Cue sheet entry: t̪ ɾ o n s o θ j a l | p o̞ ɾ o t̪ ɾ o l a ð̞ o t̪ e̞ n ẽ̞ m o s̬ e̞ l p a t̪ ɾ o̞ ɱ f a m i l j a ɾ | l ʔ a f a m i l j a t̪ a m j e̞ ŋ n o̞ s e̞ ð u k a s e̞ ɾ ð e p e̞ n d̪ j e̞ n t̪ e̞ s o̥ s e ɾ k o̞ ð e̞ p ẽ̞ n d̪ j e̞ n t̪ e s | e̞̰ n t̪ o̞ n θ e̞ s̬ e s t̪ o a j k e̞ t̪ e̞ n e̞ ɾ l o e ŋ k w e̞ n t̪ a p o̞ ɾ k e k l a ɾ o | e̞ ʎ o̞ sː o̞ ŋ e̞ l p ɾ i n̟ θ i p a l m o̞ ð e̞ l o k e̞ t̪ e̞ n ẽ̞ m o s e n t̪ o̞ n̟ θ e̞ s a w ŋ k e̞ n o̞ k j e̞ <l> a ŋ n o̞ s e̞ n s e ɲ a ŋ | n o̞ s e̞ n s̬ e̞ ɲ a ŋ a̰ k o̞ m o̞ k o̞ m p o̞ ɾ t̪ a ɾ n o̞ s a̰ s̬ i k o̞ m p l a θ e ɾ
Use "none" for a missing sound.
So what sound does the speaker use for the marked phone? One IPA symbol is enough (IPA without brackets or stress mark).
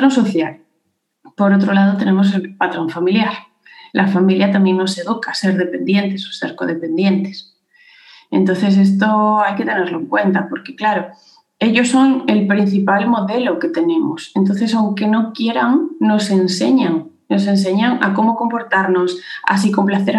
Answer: ɾ